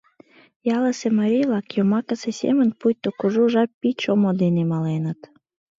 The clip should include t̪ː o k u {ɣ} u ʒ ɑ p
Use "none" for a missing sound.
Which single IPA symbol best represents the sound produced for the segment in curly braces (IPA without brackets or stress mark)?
ʒ